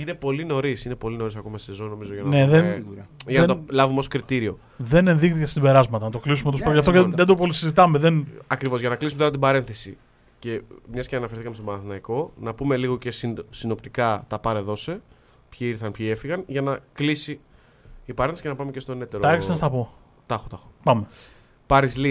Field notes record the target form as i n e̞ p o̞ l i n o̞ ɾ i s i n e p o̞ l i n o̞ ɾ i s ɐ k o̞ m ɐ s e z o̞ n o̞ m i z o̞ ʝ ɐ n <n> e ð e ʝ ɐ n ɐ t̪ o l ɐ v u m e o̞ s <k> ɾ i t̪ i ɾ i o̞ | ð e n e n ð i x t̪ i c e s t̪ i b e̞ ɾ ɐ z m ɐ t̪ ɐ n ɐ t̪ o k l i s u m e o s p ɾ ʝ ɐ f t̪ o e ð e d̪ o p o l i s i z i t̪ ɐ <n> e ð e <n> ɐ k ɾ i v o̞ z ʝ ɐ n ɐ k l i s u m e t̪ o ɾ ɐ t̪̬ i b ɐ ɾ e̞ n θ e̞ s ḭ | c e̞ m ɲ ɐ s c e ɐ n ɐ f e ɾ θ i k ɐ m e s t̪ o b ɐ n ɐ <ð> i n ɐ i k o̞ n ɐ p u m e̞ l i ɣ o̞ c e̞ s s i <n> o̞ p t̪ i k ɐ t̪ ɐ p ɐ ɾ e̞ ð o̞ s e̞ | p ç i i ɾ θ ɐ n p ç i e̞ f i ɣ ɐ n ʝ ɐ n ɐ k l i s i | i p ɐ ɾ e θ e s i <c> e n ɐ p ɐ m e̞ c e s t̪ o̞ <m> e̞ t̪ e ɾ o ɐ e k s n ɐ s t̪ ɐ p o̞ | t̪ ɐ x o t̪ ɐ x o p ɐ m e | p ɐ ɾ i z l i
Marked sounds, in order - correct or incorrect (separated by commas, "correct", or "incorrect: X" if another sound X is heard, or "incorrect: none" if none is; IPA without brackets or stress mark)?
correct, correct, incorrect: m, correct, incorrect: θ, correct, correct, incorrect: n